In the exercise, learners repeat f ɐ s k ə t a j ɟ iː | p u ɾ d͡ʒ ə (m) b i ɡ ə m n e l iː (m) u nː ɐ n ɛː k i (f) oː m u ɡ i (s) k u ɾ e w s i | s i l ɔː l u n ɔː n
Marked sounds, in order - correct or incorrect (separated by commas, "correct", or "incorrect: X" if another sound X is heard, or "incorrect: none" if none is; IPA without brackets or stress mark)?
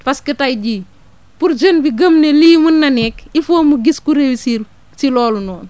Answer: incorrect: n, correct, correct, correct